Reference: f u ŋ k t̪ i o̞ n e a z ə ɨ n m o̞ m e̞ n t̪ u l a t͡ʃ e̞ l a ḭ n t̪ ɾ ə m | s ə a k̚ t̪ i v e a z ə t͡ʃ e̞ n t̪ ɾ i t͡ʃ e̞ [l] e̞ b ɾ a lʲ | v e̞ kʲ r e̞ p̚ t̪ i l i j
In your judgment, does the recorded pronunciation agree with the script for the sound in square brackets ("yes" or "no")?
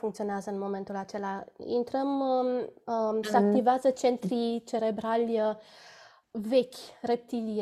no